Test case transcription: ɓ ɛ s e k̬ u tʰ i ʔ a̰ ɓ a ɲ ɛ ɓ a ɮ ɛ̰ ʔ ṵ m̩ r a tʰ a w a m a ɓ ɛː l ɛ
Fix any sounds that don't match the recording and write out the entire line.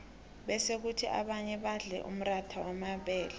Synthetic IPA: ɓ ɛ s e k̬ u tʰ i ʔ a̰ ɓ a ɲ ɛ ɓ a ɮ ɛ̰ ʔ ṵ m̩ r a tʰ a w a m a ɓ ɛː l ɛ